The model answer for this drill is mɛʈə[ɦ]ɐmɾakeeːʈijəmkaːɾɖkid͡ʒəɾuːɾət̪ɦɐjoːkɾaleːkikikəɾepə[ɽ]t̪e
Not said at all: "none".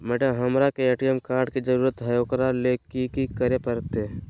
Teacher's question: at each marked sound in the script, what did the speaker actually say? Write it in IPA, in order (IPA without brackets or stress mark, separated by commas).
ɦ, ɾ